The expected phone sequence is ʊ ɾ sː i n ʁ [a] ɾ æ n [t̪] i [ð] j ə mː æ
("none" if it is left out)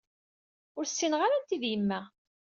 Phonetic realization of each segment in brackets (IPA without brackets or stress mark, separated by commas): a, t̪, ð